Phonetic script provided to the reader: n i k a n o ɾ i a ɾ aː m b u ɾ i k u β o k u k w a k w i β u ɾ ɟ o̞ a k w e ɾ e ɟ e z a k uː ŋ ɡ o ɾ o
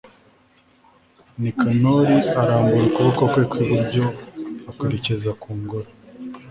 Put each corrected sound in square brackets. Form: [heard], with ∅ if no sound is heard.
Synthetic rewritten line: n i k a n o ɾ i a ɾ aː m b u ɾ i k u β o k [o] k w [e] k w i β u ɾ ɟ o̞ a k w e ɾ e [c] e z a k uː ŋ ɡ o ɾ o